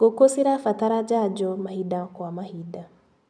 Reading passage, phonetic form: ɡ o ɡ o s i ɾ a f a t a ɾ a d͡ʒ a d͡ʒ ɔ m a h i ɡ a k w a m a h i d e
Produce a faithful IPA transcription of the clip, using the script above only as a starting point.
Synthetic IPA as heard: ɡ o k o s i ɾ a f a t a ɾ a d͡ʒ a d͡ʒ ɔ m a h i d a k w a m a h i d a